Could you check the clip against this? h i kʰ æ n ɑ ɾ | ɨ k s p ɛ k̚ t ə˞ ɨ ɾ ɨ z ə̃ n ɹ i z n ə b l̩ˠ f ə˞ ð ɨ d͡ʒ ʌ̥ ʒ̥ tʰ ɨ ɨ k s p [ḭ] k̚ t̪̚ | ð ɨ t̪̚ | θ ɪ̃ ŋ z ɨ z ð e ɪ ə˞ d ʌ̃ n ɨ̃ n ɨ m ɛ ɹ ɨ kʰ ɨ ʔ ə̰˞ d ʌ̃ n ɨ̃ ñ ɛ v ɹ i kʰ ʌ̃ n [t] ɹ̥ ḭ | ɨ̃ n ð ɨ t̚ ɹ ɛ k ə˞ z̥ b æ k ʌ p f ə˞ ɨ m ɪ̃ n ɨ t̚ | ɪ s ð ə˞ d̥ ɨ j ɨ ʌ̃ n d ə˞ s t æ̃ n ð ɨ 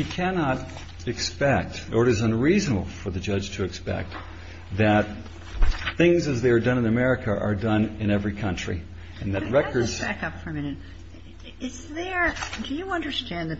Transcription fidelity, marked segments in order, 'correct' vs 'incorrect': incorrect: ɛ̰, incorrect: t͡ʃ

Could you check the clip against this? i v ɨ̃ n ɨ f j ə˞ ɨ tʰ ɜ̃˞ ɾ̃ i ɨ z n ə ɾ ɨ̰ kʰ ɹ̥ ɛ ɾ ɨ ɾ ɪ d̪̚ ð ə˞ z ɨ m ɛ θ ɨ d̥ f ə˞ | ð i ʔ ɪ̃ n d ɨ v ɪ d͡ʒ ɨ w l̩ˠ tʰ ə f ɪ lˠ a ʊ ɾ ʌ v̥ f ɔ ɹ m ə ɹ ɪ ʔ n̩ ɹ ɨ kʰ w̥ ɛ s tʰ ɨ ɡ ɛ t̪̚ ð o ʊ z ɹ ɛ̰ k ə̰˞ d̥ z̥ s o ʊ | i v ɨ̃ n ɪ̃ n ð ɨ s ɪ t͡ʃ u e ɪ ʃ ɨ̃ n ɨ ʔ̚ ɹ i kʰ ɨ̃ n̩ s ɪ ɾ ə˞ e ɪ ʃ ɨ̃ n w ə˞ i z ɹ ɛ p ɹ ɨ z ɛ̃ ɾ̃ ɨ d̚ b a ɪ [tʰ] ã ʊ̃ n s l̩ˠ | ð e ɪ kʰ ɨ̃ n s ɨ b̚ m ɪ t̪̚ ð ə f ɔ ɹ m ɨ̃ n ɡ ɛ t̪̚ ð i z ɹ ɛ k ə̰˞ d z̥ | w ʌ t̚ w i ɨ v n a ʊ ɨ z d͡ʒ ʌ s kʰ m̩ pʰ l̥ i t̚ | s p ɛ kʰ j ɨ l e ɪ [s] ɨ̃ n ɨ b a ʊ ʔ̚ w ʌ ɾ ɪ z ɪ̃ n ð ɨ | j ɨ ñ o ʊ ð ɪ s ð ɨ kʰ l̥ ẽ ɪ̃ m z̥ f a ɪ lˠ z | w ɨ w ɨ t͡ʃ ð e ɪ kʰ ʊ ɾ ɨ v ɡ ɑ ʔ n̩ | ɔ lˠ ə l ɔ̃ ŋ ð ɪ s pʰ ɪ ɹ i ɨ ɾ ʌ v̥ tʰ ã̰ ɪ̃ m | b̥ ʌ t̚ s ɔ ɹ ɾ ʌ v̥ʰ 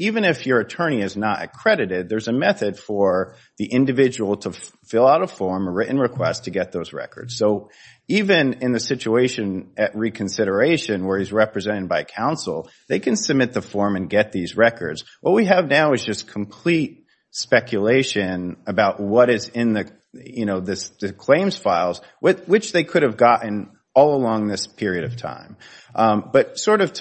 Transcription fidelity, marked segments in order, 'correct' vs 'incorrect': incorrect: kʰ, incorrect: ʃ

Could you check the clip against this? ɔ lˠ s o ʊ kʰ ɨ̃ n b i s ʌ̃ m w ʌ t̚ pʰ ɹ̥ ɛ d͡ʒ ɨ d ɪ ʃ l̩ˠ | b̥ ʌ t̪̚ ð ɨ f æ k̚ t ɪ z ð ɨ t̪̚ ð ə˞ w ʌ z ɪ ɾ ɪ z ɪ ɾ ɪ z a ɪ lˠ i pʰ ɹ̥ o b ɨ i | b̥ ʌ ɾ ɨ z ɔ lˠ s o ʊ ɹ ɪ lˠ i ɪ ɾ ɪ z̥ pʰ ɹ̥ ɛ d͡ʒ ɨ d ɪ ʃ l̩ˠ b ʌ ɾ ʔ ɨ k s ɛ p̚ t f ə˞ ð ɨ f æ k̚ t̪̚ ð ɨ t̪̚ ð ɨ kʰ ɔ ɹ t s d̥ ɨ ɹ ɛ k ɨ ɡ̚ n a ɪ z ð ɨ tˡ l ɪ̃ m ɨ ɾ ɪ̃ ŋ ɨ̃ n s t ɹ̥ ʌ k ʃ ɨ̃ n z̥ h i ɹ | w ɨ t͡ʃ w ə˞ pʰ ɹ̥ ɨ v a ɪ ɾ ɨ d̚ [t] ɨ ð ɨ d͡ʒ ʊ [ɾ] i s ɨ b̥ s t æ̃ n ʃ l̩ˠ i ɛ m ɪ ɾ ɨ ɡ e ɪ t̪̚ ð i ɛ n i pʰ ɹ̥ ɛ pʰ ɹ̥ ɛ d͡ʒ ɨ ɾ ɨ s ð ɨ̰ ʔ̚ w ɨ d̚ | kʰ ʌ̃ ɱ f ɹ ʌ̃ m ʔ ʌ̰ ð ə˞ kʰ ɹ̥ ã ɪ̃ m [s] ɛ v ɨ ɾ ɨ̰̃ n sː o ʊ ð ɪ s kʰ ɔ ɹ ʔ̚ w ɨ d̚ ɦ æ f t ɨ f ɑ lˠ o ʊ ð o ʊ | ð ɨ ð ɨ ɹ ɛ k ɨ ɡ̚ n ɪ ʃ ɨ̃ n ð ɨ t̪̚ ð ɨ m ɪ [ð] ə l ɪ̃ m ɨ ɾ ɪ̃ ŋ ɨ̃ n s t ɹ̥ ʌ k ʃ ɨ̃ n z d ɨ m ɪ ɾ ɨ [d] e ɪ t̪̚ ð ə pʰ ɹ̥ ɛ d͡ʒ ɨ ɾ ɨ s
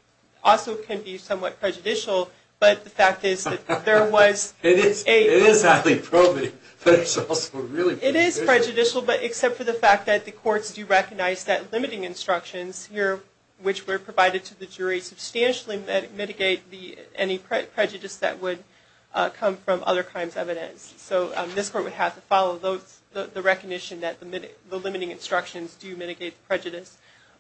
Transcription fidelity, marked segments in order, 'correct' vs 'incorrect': incorrect: tʰ, incorrect: ɹ, incorrect: z, correct, incorrect: ɡ

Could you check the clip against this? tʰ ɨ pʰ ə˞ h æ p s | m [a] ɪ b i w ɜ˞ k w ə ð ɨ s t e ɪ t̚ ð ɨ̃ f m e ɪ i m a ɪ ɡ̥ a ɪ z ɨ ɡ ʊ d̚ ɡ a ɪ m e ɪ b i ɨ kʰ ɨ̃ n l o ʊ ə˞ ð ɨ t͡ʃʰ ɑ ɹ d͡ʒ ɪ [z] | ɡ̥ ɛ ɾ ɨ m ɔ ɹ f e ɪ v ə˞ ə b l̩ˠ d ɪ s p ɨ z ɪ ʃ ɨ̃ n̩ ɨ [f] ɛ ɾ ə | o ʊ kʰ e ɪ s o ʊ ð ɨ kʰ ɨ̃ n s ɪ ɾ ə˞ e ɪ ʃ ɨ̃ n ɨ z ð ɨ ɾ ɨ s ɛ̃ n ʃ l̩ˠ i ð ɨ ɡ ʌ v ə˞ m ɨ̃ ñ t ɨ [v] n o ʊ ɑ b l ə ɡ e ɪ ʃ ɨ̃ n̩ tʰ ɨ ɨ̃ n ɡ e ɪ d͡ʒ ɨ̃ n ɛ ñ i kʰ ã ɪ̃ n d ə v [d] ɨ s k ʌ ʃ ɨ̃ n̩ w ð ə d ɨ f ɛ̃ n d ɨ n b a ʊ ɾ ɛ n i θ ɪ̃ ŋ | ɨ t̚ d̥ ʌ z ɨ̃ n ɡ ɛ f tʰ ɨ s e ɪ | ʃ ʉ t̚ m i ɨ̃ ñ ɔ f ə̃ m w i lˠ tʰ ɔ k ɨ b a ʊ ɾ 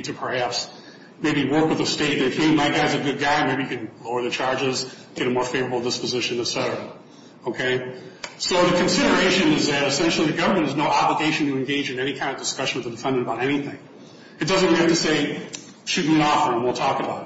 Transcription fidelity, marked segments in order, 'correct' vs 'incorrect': incorrect: e, correct, incorrect: s, incorrect: z, correct

